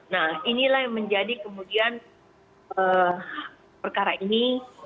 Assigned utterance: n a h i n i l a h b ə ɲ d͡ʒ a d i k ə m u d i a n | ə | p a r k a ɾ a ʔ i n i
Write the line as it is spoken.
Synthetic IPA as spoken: n a h i n i l a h m ə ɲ d͡ʒ a d i k ə m u d i a n | ə | p ə r k a ɾ a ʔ i n i